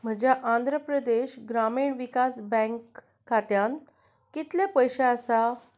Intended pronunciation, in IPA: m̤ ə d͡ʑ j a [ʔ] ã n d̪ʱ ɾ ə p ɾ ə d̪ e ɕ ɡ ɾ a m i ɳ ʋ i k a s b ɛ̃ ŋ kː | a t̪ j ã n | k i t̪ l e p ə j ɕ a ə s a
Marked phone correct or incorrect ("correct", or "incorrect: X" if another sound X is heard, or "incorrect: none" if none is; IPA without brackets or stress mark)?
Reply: correct